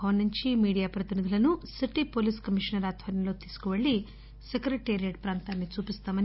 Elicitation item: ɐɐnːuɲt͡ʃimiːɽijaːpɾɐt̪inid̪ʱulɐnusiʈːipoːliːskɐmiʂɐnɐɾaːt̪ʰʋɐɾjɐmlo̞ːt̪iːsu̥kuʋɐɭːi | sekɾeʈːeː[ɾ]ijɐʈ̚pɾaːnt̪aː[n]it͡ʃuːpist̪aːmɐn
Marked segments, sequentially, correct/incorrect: correct, incorrect

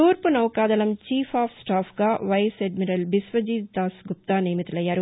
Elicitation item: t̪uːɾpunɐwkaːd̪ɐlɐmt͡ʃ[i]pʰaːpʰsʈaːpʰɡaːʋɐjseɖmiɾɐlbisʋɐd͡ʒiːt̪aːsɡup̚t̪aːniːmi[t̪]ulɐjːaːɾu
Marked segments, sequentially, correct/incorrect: incorrect, correct

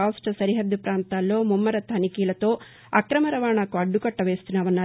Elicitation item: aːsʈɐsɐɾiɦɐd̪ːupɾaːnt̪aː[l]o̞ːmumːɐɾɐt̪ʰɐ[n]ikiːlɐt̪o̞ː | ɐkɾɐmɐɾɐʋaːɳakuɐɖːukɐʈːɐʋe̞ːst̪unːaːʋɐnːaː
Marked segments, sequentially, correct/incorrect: incorrect, correct

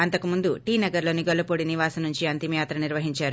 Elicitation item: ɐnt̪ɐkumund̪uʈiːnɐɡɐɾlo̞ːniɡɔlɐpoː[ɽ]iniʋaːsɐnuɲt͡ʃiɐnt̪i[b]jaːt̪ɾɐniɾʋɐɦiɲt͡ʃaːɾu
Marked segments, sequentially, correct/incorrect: correct, incorrect

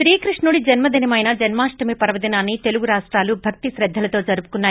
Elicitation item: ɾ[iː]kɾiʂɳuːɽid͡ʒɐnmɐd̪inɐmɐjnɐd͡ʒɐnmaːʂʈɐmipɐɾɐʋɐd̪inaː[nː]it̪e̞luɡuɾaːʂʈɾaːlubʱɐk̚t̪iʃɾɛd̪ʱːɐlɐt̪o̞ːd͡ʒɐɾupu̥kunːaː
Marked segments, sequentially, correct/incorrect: correct, correct

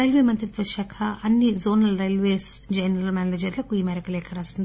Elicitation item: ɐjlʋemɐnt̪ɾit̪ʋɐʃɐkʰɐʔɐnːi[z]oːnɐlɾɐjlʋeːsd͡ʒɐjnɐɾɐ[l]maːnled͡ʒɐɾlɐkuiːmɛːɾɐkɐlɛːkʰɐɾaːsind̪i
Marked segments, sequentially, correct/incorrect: correct, correct

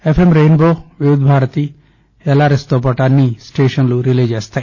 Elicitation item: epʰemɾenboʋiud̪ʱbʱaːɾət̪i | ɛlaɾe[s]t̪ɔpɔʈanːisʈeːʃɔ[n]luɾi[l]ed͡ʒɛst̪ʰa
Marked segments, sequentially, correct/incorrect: correct, correct, correct

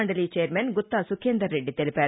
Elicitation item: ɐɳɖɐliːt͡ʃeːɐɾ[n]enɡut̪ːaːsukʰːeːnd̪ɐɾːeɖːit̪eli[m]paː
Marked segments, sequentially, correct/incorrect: incorrect, incorrect

